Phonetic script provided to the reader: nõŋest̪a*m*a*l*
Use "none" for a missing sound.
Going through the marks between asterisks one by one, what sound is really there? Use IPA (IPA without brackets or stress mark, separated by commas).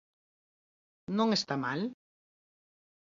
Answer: m, l